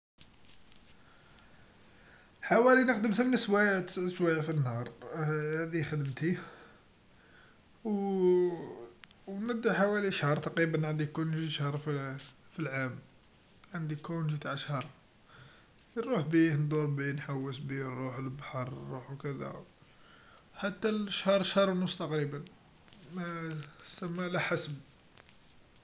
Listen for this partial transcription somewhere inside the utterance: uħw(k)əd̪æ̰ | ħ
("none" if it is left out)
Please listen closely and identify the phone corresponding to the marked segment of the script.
k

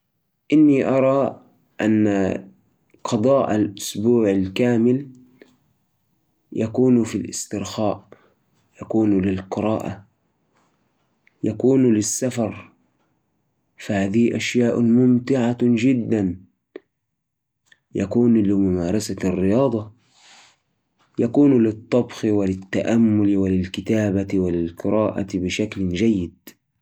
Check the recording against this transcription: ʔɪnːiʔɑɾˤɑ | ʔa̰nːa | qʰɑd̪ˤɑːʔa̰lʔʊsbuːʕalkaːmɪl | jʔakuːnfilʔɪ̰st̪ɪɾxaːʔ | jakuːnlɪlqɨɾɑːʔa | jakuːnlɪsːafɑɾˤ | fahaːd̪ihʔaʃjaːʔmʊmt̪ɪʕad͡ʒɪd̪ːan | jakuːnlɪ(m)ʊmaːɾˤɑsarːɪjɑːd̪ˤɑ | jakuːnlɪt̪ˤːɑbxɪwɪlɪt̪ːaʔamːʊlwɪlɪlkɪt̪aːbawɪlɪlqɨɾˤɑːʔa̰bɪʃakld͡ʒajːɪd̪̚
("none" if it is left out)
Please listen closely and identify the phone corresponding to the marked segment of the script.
m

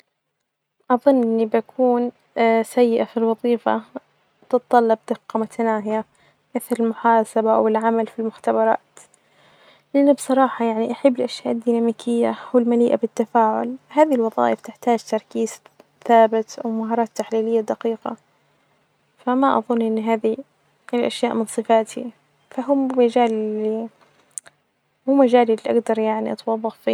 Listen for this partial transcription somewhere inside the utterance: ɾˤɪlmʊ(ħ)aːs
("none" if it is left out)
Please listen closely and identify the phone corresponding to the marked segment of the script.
ħ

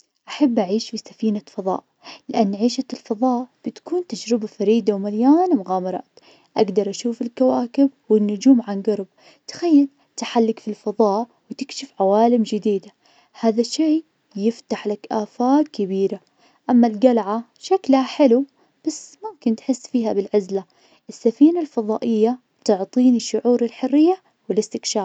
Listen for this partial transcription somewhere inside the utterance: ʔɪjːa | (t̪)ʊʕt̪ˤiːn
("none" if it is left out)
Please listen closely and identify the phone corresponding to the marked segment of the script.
t̪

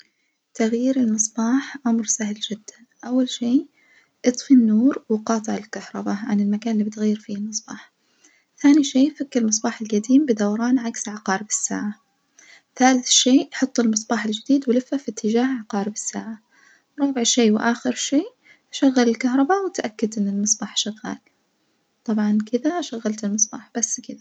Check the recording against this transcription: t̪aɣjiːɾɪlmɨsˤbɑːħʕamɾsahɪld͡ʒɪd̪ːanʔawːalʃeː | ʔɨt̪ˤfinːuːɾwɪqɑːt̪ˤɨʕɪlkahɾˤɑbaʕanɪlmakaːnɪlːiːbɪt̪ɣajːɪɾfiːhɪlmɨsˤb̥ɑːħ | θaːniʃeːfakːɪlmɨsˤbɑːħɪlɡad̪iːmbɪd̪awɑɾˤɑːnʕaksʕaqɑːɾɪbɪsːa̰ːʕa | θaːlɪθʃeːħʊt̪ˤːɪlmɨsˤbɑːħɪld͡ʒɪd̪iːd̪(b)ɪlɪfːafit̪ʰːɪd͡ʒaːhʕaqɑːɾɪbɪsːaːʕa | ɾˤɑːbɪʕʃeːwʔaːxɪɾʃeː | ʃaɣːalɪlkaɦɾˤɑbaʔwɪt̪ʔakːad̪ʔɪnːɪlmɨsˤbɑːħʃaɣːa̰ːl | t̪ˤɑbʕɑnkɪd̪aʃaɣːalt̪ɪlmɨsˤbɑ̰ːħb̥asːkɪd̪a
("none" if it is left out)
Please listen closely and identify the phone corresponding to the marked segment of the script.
w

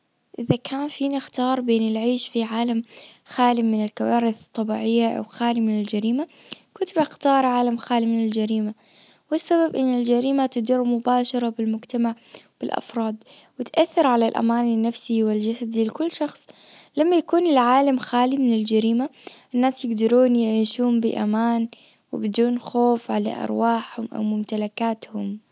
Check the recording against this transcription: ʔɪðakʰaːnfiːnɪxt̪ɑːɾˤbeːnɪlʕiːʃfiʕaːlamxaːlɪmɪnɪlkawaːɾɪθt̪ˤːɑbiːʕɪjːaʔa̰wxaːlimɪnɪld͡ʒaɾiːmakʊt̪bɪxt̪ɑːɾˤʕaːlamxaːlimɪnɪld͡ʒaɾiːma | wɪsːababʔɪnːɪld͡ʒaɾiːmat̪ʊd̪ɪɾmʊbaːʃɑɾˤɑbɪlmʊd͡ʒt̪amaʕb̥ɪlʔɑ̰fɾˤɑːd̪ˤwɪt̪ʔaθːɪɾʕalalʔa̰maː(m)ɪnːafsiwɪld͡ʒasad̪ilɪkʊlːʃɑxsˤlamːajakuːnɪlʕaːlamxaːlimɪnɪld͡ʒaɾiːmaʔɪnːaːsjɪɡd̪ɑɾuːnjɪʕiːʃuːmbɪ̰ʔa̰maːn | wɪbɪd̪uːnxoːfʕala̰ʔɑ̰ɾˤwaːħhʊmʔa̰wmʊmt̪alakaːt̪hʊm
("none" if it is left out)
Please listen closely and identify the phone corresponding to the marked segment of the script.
n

